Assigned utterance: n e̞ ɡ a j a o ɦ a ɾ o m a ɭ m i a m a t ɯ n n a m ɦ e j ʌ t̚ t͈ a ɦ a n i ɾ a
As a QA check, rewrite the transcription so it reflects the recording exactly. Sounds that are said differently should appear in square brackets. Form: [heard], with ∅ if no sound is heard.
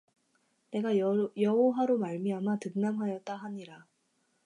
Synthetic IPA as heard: n e̞ ɡ a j [ʌ] o ɦ a ɾ o m a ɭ m i a m a t ɯ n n a m ɦ [a] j ʌ t̚ t͈ a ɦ a [ɲ] i ɾ a